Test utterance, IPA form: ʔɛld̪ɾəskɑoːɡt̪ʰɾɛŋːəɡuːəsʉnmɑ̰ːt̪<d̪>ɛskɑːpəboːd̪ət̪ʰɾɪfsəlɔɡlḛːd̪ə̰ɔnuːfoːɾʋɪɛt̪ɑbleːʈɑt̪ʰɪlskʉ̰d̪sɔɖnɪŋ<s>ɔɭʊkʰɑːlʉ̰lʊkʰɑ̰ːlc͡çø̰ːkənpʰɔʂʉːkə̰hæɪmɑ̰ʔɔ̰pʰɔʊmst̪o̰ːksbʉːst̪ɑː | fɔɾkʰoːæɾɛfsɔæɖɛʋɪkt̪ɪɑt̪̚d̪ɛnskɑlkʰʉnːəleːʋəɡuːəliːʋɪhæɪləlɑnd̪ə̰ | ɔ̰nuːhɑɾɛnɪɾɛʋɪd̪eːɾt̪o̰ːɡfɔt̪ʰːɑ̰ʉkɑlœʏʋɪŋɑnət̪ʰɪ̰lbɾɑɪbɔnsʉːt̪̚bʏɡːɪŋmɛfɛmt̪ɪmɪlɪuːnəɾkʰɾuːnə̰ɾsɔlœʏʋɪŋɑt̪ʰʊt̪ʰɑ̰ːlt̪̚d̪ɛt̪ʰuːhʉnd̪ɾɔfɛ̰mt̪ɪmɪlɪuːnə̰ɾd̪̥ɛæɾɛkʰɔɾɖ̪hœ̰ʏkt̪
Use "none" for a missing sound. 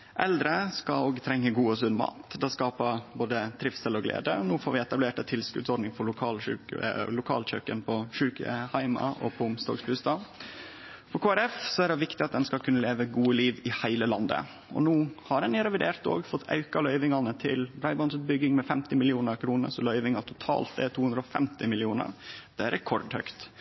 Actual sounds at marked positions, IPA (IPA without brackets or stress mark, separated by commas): d̪, f